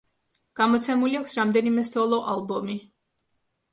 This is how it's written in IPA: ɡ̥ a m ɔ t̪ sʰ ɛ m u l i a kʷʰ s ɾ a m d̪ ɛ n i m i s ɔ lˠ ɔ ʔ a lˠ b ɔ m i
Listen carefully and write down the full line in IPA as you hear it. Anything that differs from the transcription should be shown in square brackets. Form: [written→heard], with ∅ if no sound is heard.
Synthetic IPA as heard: ɡ̥ a m ɔ t̪ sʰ ɛ m u l i a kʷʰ s ɾ a m d̪ ɛ n i m [i→ɛ] s ɔ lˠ ɔ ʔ a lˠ b ɔ m i